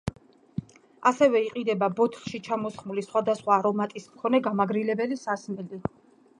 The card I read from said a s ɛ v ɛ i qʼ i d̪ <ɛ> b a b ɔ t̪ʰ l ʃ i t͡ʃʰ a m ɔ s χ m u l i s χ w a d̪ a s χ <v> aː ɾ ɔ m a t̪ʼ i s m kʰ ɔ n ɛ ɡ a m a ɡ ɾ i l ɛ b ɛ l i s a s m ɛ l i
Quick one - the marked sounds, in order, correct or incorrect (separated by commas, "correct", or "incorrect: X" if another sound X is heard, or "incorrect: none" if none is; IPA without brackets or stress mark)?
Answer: correct, incorrect: w